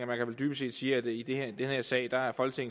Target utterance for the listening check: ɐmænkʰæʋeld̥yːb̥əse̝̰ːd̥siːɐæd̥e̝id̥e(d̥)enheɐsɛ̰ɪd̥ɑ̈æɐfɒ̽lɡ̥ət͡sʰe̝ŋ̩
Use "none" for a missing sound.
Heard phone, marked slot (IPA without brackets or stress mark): d̥